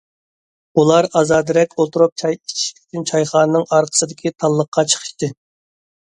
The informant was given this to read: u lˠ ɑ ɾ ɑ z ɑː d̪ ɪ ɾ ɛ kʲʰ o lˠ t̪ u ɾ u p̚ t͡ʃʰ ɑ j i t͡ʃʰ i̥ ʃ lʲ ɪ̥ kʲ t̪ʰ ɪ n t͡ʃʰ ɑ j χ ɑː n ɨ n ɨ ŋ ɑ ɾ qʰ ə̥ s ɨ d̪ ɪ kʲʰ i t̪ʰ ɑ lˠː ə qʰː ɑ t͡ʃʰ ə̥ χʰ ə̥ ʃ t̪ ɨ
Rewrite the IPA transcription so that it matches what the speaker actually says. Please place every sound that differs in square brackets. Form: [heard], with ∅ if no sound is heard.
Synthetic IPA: u lˠ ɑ ɾ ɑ z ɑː d̪ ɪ ɾ ɛ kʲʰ o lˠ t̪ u ɾ u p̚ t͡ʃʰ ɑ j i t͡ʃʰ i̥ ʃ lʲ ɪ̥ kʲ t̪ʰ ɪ n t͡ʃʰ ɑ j χ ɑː n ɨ n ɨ ŋ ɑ ɾ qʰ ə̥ s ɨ d̪ ɪ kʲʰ i t̪ʰ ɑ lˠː ə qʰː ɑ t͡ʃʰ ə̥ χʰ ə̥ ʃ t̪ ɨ